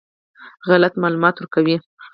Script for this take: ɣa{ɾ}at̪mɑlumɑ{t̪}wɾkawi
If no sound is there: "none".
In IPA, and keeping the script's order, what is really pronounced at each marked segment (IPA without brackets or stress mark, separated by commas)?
l, t̪